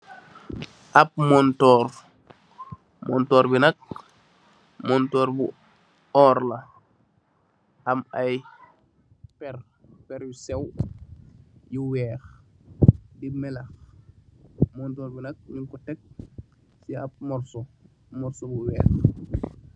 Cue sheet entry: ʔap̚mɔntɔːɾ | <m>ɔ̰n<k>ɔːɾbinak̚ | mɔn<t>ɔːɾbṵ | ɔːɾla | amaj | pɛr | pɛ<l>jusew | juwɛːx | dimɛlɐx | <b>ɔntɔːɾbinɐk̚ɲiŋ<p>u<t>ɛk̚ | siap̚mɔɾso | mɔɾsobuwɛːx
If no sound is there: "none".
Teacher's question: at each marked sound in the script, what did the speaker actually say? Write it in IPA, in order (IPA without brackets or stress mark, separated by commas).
m, t, t, ɾ, m, k, t